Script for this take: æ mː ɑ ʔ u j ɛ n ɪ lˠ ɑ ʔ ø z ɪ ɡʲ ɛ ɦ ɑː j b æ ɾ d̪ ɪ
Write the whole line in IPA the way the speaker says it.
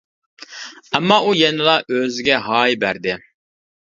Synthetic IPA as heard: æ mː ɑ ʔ u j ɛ n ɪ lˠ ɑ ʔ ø z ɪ ɡʲ ɛ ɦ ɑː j b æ ɾ d̪ ɪ